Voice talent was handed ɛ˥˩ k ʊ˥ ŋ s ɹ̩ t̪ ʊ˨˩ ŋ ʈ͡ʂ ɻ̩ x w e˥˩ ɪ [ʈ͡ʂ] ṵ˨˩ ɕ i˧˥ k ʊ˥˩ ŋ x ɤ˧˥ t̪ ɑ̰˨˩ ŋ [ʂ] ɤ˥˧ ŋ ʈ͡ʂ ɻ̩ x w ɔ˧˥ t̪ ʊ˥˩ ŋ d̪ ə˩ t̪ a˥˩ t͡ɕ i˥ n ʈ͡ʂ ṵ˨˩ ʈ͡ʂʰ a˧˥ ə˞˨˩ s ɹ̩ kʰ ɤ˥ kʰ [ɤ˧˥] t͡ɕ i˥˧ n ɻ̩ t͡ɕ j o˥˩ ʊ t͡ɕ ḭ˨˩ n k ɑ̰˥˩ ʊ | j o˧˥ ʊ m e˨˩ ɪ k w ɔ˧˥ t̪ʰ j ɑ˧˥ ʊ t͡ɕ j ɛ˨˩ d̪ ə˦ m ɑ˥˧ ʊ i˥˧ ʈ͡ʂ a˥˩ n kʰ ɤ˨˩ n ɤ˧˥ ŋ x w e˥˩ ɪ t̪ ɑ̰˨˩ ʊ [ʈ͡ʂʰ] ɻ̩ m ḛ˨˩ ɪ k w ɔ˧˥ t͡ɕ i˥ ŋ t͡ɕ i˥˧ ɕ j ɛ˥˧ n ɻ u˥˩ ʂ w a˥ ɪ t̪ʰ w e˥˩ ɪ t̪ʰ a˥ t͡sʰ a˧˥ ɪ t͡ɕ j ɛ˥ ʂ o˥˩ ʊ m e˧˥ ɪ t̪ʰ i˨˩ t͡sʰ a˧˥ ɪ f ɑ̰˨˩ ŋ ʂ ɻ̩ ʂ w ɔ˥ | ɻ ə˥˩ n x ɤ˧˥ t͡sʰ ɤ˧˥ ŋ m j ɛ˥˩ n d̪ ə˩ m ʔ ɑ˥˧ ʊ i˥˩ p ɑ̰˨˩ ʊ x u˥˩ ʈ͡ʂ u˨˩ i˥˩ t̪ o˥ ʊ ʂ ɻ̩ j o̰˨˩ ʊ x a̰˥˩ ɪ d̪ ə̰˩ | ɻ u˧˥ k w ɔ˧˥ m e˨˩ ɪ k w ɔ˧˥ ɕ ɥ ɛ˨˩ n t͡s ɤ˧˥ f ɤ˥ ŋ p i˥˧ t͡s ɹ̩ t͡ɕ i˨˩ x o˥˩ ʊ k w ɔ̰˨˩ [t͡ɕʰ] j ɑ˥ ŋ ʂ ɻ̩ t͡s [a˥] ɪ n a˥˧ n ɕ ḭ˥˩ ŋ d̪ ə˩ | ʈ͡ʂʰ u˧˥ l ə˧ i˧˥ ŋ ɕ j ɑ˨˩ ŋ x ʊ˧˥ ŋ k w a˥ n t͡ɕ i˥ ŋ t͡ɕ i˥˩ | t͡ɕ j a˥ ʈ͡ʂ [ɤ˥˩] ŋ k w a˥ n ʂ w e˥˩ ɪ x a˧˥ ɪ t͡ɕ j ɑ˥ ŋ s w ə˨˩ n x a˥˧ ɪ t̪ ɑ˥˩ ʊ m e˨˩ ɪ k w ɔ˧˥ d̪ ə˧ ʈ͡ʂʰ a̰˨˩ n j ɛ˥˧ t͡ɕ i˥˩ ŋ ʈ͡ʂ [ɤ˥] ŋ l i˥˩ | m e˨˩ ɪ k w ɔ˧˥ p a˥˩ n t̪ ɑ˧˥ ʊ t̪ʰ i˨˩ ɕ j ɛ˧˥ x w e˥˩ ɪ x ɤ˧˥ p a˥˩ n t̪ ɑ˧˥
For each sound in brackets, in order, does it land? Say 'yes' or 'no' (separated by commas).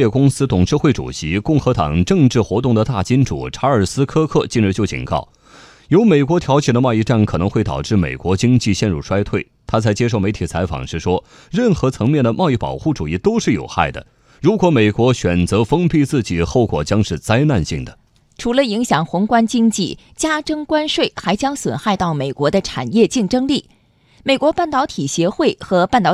yes, no, no, no, no, yes, no, yes